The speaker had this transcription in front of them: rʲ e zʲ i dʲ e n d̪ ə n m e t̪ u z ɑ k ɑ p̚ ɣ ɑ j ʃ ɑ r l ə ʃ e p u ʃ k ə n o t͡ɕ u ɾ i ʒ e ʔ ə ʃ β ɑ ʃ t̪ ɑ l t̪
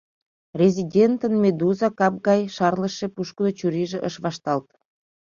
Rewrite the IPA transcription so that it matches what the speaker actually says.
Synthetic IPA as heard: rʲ e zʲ i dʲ e n t̪ ə n m e d̪ u z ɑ k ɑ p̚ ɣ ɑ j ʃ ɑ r l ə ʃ e p u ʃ k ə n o t͡ɕ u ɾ i ʒ e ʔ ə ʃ β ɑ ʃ t̪ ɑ l t̪